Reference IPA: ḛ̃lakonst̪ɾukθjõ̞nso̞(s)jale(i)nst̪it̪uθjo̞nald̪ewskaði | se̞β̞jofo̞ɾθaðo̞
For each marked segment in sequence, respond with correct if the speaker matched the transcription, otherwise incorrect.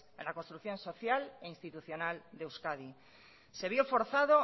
incorrect, correct

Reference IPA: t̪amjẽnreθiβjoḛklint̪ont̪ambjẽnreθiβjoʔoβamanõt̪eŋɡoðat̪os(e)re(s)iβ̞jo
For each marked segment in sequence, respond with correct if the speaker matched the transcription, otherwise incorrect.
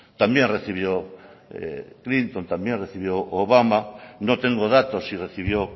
incorrect, incorrect

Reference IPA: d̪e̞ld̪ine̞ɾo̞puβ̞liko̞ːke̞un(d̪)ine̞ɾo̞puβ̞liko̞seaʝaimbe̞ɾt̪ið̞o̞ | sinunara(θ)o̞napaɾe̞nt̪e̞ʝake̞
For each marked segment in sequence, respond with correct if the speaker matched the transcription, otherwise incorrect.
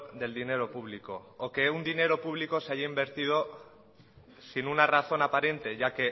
correct, correct

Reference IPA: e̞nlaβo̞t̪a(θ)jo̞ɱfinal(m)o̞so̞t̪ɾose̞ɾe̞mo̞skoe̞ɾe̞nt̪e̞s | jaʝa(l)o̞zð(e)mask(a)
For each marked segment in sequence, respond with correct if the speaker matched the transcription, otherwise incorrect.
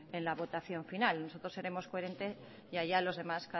correct, incorrect, correct, correct, correct

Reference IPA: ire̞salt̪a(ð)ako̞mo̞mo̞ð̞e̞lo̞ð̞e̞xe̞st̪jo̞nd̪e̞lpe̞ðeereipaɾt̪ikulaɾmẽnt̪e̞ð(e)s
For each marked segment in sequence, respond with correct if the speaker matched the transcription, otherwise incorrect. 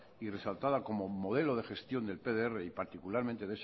correct, correct

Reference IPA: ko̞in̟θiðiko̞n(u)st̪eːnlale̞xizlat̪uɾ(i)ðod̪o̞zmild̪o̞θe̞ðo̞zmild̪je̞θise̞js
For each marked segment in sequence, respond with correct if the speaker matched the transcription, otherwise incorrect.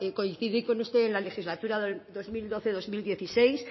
correct, incorrect

